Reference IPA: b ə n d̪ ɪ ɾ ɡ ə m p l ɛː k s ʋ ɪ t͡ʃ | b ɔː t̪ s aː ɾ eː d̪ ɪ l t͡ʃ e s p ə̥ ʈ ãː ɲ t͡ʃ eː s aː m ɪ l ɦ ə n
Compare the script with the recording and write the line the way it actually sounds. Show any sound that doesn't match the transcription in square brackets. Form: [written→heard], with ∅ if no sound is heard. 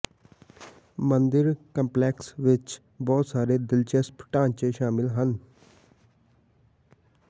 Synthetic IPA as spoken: [b→m] ə n d̪ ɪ ɾ [ɡ→k] ə m p l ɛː k s ʋ ɪ t͡ʃ | b ɔː t̪ s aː ɾ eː d̪ ɪ l t͡ʃ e s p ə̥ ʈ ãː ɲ t͡ʃ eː [s→ʃ] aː m ɪ l ɦ ə n